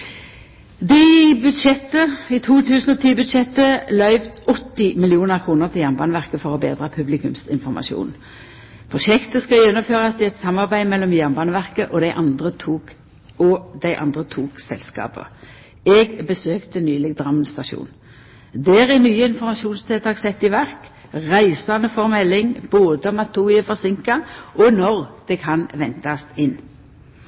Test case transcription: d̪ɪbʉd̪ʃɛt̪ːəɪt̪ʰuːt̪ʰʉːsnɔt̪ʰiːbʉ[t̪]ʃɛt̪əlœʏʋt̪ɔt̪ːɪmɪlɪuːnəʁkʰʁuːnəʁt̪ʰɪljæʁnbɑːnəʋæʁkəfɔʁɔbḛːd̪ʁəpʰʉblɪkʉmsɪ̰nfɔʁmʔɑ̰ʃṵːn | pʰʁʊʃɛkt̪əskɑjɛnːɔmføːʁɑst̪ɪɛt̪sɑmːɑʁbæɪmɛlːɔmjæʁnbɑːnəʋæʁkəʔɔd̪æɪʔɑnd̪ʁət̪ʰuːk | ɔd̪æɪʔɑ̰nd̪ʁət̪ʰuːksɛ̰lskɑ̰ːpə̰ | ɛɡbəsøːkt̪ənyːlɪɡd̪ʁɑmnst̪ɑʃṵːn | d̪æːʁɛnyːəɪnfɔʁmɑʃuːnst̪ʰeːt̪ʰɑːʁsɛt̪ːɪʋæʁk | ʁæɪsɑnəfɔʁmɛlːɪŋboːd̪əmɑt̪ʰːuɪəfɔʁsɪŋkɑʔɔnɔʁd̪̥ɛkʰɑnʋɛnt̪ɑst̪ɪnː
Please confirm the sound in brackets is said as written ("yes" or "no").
no